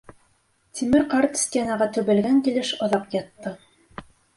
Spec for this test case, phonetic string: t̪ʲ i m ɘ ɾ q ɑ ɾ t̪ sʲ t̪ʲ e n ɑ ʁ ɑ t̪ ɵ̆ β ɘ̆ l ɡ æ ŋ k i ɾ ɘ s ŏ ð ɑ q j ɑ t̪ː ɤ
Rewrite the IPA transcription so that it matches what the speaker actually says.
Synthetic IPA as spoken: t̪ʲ i m ɘ ɾ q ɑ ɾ t̪ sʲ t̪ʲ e n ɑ ʁ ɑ t̪ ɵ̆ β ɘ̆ l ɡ æ ŋ k i l ɘ ʃ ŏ ð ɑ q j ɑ t̪ː ɤ